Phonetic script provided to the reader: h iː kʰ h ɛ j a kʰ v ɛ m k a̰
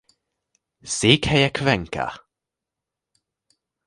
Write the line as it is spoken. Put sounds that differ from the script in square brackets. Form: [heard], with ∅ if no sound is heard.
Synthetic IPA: [s] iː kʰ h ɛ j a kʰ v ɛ [ŋ] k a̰